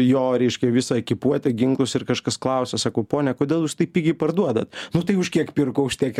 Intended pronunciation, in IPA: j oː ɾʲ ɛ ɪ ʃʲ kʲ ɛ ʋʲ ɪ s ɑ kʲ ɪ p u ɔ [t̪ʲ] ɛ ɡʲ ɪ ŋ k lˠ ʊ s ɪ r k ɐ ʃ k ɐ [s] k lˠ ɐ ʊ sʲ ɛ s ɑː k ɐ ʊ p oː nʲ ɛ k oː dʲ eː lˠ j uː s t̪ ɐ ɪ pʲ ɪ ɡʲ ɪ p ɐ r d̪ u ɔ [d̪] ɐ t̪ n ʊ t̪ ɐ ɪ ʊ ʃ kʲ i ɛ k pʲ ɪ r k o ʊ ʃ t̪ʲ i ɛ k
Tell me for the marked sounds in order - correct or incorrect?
correct, correct, correct

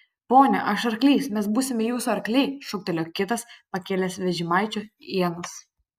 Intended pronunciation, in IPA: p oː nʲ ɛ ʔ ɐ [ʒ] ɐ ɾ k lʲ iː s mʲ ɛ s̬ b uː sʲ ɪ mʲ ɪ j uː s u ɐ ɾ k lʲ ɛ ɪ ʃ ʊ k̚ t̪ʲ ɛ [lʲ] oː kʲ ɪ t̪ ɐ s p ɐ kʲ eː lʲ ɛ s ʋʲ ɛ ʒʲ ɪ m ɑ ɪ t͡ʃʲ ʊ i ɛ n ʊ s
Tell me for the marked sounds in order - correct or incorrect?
incorrect: ʃ, correct

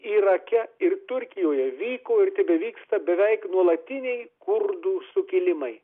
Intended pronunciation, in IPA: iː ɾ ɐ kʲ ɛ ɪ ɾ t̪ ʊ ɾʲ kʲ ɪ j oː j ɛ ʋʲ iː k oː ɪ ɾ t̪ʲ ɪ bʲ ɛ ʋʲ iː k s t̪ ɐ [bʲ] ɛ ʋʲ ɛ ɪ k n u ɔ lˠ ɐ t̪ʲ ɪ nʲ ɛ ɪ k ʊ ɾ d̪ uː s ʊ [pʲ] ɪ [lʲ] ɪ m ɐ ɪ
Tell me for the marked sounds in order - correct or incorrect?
correct, incorrect: kʲ, correct

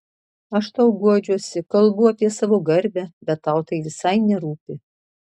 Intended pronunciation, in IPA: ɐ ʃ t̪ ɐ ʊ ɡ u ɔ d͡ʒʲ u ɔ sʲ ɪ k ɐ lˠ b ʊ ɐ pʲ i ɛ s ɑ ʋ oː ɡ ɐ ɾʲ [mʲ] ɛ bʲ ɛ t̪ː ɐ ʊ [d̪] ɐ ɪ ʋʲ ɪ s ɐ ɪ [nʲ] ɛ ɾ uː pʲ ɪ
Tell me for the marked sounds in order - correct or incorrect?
incorrect: bʲ, incorrect: t̪, correct

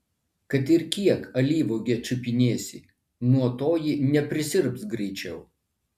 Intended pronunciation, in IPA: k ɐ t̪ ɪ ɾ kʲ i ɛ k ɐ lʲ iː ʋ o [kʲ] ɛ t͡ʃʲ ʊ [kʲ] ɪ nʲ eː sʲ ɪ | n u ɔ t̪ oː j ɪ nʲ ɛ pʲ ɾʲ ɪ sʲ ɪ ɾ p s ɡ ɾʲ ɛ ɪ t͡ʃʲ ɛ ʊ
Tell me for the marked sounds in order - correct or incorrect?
incorrect: ɡʲ, incorrect: pʲ

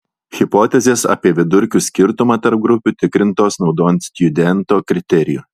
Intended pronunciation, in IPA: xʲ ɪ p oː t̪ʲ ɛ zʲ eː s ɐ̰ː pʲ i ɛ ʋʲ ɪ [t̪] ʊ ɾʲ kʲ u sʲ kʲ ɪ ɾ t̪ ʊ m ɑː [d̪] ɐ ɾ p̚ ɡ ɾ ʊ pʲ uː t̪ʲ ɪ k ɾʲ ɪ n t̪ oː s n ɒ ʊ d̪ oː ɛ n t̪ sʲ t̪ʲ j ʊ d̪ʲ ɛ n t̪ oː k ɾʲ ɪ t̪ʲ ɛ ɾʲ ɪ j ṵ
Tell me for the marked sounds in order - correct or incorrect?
incorrect: d̪, incorrect: t̪

